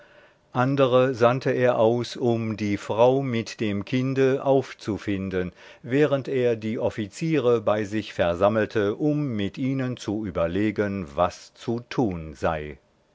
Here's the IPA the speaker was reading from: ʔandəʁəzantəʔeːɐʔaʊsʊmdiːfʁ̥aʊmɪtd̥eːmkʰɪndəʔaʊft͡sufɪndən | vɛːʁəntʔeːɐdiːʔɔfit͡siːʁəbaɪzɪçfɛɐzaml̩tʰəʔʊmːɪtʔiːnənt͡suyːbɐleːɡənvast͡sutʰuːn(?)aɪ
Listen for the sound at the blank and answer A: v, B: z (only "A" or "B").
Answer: B